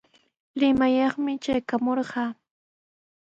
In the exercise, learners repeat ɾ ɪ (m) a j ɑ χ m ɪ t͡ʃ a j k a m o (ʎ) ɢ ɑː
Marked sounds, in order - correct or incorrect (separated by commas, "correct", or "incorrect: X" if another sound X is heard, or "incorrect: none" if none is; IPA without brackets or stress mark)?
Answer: correct, incorrect: ɾ